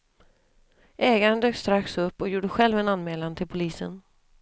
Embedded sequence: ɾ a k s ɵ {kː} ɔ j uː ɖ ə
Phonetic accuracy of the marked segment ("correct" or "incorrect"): incorrect